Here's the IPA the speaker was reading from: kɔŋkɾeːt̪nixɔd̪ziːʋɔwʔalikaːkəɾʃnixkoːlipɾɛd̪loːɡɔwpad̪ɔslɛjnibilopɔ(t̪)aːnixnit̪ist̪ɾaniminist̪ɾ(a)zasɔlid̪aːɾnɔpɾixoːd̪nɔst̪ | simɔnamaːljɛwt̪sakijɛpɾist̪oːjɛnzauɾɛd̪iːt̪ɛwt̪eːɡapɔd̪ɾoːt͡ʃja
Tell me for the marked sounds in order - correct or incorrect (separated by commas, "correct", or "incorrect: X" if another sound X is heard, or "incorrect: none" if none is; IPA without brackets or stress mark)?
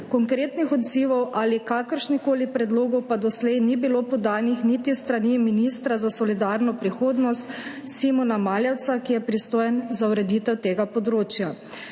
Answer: incorrect: d̪, correct